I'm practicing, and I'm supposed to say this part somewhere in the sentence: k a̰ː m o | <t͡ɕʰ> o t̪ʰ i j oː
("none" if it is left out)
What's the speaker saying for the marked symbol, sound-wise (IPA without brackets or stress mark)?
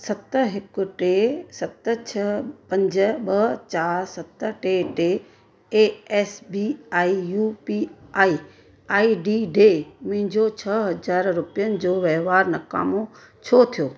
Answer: t͡ɕʰ